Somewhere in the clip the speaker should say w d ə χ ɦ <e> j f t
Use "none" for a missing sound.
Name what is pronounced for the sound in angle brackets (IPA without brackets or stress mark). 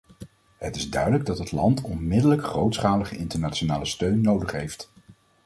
e